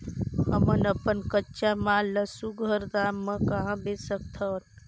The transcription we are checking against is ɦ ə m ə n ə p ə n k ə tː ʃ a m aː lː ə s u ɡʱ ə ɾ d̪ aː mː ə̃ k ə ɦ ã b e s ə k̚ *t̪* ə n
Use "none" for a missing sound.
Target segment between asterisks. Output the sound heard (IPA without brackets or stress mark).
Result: t̪ʰ